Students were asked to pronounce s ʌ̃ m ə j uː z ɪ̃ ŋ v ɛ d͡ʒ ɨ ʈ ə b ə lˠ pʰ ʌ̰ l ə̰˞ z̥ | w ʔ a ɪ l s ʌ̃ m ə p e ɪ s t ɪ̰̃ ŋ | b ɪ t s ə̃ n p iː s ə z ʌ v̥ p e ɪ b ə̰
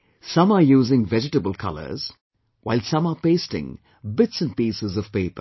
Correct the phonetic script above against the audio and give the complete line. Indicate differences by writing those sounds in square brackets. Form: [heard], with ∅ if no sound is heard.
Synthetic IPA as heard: s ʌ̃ m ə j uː z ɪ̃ ŋ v ɛ d͡ʒ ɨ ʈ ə b ə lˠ [kʰ] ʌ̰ l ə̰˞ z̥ | w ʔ a ɪ l s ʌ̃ m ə p e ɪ s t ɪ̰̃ ŋ | b ɪ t s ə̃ n p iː s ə z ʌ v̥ p e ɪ [p] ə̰

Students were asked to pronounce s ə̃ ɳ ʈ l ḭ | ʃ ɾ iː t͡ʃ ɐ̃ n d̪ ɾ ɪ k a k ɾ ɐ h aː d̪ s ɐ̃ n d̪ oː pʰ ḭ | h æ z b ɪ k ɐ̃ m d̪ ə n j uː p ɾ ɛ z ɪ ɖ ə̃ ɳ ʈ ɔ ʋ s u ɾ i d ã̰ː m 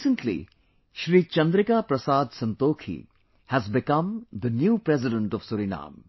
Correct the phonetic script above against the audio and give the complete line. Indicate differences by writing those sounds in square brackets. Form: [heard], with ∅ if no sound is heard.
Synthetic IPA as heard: s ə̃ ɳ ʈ l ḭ | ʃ ɾ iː t͡ʃ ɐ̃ n d̪ ɾ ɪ k a [p] ɾ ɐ [s] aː d̪ s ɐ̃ n [t̪] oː [kʰ] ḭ | h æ z b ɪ k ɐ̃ m d̪ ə n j uː p ɾ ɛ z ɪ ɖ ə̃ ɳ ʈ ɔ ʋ s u ɾ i [n] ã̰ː m

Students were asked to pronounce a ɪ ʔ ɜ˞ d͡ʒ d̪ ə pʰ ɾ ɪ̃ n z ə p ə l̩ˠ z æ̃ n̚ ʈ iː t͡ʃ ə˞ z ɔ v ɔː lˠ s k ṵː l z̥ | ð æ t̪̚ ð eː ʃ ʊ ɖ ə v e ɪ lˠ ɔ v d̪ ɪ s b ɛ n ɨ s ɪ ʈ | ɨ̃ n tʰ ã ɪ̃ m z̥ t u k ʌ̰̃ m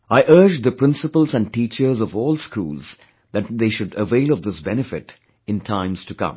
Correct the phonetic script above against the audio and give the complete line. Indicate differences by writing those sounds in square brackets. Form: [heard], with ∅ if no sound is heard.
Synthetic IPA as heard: a ɪ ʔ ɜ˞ d͡ʒ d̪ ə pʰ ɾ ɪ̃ n [s] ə p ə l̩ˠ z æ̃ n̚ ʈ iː t͡ʃ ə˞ z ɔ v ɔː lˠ s k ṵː l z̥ | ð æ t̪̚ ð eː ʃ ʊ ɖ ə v e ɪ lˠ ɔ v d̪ ɪ s b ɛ n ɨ [f] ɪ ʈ | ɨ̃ n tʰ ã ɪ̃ m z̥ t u k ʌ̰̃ m

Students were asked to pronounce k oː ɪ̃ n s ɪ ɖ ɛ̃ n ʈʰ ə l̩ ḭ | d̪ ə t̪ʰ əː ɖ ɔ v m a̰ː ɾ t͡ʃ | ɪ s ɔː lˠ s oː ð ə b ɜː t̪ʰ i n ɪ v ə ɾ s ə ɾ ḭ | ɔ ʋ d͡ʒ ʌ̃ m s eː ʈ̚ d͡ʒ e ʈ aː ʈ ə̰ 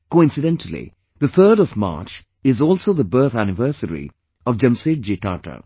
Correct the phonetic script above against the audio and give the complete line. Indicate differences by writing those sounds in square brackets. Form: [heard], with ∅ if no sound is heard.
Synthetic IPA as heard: k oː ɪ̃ n s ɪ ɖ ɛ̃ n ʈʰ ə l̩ ḭ | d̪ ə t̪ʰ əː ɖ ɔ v m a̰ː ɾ t͡ʃ | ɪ [z] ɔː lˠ s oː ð ə b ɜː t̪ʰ [æ] n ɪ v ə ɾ s ə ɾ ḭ | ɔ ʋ d͡ʒ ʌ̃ m s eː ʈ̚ d͡ʒ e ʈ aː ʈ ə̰

